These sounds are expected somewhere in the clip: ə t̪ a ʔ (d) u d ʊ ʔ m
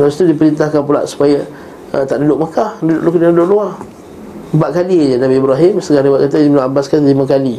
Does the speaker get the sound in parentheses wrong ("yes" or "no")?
no